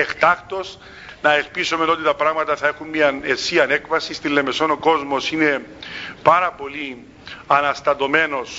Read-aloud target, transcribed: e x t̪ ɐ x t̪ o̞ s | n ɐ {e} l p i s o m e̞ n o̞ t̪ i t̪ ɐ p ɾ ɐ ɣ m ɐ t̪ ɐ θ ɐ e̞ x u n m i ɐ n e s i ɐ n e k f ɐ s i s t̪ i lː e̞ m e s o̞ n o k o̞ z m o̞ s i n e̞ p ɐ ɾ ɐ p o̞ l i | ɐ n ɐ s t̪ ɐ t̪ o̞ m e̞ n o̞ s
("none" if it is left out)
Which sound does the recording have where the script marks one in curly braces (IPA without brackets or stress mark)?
e